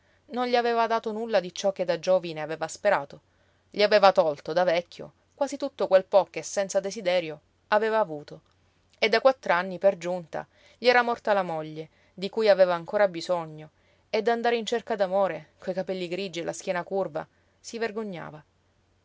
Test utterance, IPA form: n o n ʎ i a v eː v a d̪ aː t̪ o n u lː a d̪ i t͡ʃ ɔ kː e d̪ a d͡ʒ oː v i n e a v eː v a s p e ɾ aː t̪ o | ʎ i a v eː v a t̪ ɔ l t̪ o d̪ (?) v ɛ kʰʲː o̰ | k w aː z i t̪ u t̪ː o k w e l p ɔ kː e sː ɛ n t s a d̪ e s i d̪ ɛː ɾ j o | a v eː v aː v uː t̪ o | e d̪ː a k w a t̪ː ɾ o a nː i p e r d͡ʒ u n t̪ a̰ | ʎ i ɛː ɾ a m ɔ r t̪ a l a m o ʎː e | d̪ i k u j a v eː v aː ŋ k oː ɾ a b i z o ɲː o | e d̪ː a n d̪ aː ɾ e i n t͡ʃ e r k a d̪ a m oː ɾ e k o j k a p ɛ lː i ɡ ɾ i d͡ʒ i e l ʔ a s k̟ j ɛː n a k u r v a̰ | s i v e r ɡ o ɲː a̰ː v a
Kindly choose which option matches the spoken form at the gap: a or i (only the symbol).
a